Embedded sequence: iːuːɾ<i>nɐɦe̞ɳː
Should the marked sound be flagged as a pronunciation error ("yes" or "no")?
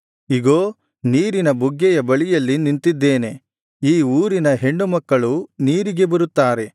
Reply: no